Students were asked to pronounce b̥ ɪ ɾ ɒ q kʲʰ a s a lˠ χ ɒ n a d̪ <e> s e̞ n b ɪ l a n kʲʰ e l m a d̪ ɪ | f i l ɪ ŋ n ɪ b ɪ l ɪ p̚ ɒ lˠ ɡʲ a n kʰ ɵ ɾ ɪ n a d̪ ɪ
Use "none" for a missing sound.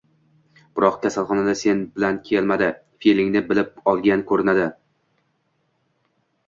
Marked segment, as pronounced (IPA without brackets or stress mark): a